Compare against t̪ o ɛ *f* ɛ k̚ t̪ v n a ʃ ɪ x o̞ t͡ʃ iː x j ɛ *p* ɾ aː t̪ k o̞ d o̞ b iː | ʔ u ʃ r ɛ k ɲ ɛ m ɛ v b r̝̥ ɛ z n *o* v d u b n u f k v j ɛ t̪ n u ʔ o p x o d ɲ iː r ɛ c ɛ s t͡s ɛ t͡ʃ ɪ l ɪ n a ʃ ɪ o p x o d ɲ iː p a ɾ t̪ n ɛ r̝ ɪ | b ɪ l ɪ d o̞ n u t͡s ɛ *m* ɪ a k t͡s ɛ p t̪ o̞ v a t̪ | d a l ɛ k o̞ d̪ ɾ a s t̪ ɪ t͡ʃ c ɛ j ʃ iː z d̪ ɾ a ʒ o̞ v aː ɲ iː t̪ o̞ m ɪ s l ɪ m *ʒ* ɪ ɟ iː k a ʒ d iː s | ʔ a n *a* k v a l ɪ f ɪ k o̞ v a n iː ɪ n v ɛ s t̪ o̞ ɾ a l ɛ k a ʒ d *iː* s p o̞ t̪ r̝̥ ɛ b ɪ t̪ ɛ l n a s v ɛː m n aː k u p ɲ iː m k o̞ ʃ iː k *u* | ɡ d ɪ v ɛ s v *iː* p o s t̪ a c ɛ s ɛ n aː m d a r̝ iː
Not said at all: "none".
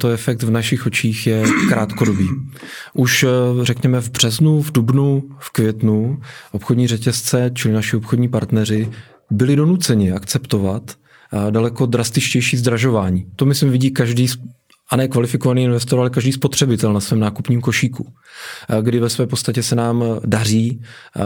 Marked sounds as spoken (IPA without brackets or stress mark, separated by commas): f, k, u, ɲ, v, ɛ, iː, u, ɛː